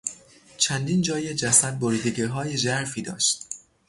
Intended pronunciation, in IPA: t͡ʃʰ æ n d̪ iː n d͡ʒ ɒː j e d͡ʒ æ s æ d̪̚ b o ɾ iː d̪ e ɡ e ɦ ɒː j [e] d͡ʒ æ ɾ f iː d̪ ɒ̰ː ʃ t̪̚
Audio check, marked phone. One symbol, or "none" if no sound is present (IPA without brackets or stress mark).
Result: e